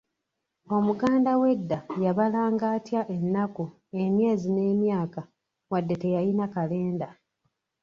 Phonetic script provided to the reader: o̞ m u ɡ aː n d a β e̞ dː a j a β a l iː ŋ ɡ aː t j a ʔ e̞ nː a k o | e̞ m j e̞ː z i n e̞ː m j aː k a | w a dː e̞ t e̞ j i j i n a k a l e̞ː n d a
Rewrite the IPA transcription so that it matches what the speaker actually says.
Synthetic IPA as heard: o̞ m u ɡ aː n d a w e̞ dː a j a β a l aː ŋ ɡ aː t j a ʔ e̞ nː a k u | e̞ m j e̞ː z i n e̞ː m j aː k a | w a dː e̞ t e̞ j a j i n a k a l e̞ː n d a